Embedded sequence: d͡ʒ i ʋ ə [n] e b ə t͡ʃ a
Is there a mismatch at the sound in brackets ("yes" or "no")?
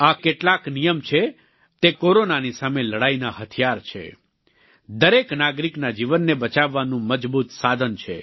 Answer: yes